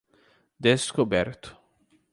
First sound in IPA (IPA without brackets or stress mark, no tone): d̪